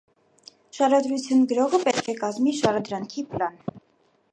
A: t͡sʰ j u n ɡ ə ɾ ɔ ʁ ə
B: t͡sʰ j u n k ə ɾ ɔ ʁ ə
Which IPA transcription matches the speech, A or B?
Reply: A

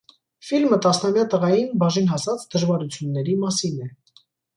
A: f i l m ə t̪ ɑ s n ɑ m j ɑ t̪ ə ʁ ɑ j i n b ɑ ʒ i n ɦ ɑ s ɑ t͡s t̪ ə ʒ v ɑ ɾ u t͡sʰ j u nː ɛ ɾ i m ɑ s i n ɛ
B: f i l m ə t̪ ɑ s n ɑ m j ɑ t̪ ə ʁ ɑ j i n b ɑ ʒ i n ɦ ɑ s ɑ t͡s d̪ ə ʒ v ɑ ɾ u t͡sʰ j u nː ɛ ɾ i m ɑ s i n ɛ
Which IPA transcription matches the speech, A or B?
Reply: B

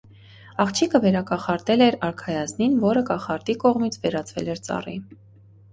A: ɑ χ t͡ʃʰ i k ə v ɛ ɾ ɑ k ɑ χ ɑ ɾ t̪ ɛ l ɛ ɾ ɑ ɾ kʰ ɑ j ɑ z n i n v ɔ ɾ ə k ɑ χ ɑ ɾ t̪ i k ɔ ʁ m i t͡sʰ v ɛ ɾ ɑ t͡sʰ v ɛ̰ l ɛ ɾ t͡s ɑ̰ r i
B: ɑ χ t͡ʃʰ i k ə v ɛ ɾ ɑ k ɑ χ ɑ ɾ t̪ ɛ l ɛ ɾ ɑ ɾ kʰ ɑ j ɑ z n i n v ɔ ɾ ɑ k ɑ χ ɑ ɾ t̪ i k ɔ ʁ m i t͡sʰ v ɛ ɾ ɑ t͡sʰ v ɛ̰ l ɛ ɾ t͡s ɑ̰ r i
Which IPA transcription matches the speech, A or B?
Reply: A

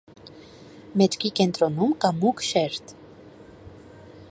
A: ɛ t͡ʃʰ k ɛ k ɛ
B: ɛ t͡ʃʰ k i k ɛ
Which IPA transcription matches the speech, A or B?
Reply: B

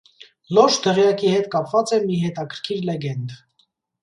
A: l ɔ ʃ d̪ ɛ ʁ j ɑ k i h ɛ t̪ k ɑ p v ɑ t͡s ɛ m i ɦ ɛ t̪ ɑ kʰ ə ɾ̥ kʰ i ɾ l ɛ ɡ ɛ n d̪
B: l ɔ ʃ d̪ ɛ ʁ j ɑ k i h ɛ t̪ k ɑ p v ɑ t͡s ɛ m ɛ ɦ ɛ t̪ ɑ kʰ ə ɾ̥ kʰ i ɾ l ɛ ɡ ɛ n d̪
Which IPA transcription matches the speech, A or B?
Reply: A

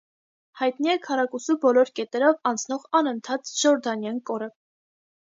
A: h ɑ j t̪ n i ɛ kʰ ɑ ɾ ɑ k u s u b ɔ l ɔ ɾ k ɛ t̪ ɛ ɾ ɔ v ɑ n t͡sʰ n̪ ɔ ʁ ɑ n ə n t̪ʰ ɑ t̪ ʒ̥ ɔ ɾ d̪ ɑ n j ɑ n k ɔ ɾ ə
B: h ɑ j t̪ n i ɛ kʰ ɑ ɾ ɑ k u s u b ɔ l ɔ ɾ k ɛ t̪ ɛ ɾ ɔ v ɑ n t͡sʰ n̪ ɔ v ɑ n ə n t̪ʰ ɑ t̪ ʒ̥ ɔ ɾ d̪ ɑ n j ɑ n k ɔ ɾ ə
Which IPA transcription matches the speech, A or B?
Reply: A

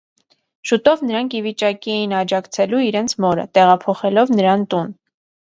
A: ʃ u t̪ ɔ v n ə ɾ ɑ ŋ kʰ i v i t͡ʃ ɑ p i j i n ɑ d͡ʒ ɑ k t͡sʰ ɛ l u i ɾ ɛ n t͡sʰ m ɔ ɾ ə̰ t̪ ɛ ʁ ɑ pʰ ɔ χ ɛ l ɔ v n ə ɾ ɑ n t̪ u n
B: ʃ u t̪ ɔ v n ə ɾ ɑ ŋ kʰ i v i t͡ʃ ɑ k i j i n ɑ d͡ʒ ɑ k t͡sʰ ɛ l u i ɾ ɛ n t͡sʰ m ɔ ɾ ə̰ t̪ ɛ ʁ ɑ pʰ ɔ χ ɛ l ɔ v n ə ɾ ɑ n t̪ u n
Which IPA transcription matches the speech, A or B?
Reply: B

